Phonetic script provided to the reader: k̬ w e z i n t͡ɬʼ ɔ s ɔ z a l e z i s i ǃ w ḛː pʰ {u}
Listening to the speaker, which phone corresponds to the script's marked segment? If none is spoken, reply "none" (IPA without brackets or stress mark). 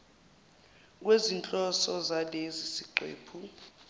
u